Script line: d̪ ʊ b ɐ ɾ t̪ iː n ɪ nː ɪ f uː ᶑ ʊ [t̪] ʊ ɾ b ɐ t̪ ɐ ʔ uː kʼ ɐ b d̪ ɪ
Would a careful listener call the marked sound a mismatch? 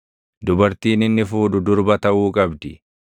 yes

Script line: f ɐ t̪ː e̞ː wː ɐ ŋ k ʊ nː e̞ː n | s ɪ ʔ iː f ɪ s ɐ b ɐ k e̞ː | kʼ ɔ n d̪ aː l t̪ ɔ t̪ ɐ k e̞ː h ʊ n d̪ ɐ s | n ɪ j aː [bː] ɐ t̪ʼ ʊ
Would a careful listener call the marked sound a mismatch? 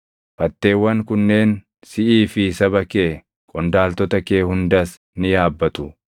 no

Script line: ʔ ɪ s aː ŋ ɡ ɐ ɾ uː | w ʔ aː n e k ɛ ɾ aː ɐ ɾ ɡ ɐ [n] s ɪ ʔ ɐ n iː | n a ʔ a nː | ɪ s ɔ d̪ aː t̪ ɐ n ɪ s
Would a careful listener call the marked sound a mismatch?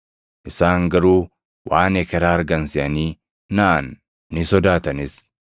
no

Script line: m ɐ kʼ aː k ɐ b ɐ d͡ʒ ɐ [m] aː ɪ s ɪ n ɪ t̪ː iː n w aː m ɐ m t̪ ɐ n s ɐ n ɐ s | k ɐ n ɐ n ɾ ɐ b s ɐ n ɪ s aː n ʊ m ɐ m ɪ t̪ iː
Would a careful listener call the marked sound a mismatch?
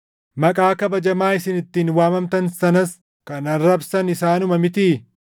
no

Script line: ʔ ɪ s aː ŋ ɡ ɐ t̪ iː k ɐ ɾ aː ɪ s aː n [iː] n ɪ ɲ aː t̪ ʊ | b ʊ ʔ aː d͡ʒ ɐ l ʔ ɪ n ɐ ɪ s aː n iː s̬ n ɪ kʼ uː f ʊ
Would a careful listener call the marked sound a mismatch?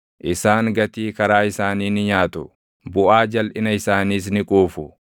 no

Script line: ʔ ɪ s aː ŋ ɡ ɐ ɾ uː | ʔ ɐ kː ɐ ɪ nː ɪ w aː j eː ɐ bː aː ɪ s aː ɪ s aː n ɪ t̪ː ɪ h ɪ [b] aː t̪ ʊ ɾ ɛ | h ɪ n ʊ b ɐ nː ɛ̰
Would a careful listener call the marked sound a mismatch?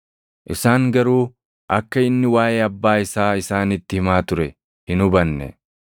yes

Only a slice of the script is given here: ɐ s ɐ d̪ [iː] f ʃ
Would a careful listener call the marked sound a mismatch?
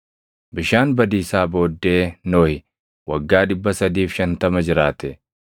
no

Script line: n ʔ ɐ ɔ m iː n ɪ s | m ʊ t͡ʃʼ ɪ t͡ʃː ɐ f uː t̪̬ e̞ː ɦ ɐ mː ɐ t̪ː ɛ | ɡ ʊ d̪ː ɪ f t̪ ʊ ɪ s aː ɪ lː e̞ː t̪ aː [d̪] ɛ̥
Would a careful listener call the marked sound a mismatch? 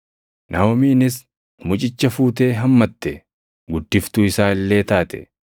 yes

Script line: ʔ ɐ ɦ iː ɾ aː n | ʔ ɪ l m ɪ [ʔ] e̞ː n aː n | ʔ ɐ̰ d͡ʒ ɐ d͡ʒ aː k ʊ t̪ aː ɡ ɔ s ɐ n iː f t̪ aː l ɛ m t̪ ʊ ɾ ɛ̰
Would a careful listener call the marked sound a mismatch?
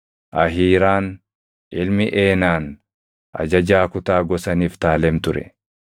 no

